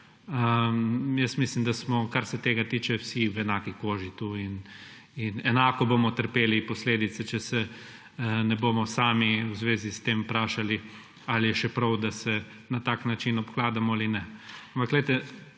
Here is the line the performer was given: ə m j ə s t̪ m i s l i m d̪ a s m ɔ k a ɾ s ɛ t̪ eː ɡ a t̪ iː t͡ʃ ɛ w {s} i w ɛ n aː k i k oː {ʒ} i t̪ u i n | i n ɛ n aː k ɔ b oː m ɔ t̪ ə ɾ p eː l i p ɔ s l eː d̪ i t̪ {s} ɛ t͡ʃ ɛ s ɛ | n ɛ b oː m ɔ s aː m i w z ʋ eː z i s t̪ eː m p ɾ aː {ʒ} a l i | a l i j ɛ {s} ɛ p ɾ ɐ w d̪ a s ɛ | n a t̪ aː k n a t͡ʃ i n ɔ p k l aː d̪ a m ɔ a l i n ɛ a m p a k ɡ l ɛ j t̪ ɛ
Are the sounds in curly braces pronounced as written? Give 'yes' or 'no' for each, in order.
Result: yes, yes, yes, no, no

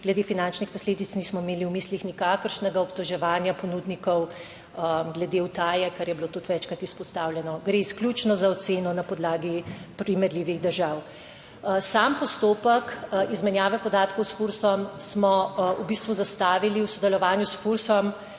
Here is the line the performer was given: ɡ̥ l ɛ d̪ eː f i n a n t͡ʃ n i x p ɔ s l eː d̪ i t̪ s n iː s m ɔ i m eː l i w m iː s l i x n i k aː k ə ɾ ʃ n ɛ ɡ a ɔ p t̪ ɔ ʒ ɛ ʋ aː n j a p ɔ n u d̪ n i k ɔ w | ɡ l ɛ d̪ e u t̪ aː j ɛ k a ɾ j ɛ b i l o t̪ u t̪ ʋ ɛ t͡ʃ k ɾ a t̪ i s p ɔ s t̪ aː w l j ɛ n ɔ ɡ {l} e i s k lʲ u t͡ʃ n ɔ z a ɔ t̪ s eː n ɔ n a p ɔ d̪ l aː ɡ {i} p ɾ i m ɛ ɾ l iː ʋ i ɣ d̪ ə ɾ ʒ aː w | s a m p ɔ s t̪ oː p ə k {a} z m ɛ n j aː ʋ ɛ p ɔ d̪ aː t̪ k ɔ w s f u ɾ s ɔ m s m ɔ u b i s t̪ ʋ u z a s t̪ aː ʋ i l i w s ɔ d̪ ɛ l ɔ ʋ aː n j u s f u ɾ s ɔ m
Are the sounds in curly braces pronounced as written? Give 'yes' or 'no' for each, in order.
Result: no, yes, no

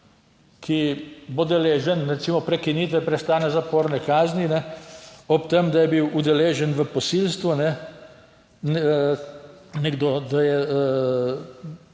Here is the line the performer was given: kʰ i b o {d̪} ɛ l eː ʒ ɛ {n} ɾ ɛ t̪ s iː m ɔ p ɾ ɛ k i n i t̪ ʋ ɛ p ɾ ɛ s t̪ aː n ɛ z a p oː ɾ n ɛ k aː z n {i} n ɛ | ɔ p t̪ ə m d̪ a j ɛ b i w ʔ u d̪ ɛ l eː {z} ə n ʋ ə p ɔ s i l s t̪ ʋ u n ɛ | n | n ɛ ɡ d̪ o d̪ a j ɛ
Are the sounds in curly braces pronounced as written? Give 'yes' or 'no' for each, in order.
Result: yes, yes, yes, no

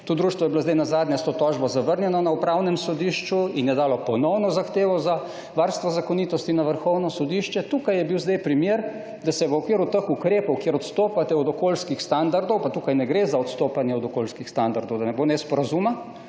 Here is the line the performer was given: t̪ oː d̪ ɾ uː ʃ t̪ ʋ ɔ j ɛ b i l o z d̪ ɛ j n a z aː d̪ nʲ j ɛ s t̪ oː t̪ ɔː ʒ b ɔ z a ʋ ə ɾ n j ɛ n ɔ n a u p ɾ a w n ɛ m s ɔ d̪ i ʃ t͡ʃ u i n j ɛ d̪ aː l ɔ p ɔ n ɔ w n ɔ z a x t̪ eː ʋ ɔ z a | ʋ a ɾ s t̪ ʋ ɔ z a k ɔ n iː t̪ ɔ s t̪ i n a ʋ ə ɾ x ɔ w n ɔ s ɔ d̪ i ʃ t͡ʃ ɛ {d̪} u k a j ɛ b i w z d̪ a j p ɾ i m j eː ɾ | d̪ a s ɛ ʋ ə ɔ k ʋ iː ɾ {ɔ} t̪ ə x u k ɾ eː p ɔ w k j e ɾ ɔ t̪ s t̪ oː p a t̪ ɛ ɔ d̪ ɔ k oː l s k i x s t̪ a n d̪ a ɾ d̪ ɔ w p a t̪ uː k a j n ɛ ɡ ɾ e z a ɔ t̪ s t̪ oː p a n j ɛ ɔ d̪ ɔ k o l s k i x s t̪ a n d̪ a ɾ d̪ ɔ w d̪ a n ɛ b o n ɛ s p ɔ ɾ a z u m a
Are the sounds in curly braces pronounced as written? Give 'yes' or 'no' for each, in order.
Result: no, no

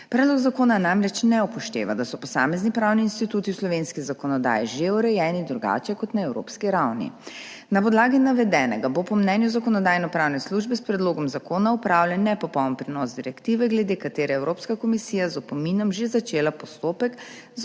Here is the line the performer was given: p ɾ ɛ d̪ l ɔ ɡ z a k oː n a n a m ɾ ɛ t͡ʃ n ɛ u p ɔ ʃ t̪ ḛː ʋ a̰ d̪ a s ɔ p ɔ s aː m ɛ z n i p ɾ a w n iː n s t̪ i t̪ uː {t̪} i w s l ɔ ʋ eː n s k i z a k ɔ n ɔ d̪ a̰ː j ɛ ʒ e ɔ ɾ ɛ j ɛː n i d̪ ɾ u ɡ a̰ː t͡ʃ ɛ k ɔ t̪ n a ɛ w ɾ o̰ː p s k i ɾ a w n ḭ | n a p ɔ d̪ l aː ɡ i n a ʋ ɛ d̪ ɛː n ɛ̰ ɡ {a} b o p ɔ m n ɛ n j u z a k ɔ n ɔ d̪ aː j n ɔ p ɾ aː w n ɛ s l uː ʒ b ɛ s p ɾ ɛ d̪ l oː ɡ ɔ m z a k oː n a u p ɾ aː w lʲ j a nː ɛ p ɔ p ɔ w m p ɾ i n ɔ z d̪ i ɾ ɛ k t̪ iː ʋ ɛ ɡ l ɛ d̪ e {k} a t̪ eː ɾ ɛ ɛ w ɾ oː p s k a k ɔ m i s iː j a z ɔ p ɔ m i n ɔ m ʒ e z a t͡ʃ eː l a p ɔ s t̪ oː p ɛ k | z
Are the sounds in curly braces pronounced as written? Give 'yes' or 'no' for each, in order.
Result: yes, yes, yes

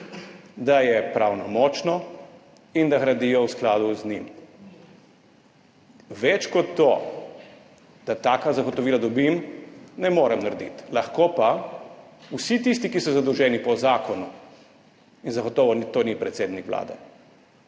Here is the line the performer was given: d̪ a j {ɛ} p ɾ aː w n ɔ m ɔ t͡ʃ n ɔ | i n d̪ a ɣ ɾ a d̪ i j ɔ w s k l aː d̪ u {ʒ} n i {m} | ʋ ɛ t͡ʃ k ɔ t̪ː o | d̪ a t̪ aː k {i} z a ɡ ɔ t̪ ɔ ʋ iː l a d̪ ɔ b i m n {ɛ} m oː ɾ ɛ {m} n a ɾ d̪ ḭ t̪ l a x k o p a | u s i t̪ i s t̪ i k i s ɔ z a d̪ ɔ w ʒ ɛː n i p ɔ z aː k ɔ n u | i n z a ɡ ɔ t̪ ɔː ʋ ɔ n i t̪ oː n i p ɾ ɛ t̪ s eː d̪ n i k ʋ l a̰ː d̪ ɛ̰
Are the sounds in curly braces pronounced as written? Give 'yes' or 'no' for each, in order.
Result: yes, no, yes, no, yes, yes

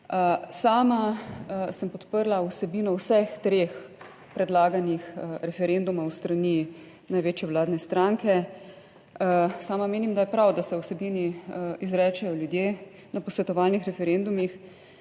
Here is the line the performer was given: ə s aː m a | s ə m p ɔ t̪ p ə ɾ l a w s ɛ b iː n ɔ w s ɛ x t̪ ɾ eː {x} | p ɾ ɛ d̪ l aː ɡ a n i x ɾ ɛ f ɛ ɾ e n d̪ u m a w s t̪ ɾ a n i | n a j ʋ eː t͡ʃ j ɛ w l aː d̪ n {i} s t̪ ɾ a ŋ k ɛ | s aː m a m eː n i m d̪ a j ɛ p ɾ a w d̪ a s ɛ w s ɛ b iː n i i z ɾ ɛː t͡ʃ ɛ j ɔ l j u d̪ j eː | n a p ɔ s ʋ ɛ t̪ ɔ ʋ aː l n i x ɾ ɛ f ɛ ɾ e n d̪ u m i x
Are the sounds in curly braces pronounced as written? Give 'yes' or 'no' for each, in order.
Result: yes, no

